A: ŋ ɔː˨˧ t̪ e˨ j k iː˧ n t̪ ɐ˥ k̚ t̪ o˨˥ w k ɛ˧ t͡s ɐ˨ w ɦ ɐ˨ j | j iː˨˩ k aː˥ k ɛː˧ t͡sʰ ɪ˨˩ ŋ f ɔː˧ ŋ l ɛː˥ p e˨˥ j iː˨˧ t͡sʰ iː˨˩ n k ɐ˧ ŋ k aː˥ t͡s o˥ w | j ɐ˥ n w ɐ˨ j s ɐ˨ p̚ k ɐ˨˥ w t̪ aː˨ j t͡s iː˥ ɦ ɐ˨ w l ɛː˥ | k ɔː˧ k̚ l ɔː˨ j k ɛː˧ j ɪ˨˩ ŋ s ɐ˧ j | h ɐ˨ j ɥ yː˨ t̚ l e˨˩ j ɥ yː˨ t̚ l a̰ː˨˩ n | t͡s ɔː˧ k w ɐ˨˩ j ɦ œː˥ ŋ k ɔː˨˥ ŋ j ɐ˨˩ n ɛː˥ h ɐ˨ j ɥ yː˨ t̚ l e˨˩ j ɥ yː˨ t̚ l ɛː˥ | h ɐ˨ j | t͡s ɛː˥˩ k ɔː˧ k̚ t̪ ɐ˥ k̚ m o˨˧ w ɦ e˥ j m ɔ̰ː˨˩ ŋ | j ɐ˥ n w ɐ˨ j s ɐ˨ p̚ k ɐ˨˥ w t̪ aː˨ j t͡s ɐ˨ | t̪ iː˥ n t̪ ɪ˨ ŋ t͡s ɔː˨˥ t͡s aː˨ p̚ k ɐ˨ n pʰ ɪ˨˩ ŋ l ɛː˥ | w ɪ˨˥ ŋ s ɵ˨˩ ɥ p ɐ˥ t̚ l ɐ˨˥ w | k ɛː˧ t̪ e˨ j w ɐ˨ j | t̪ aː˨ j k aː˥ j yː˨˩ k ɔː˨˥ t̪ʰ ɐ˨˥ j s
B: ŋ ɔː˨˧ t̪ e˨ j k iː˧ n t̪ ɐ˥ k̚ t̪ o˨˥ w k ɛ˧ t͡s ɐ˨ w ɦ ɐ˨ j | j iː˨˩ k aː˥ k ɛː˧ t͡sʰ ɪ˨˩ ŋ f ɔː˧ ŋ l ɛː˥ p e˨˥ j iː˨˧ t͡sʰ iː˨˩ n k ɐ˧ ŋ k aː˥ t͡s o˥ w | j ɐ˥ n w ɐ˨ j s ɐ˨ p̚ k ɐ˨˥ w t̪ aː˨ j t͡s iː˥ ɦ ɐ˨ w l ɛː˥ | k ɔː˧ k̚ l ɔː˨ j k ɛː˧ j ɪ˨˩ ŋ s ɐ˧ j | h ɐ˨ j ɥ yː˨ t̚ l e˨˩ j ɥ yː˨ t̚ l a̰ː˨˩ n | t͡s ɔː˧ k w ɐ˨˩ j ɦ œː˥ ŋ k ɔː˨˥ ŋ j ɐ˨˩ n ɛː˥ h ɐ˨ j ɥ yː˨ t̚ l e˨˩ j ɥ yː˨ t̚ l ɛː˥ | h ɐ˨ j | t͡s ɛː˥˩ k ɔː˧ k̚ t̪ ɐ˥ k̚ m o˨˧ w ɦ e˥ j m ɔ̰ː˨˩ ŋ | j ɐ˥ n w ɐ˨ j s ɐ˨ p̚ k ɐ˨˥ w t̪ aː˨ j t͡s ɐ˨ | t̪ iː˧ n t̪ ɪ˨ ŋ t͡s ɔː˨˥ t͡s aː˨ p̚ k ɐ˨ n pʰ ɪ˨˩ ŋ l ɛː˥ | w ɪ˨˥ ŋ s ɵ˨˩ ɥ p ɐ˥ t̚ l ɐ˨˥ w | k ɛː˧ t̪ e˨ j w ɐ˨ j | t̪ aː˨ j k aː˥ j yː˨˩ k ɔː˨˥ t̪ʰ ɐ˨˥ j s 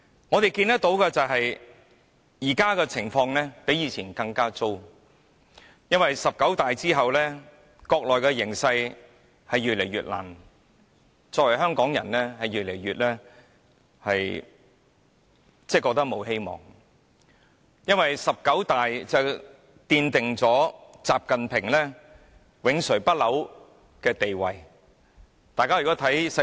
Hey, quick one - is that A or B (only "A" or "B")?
B